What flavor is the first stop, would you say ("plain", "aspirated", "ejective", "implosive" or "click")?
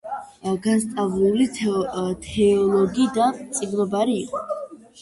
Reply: plain